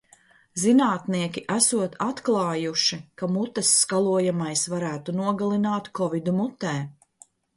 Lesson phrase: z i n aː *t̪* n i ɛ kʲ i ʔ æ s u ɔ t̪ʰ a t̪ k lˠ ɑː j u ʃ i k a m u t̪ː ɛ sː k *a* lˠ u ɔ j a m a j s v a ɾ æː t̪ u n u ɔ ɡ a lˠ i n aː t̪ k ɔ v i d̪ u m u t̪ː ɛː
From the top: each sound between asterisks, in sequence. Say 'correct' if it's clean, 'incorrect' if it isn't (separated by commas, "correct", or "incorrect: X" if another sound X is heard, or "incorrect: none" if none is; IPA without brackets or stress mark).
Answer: correct, correct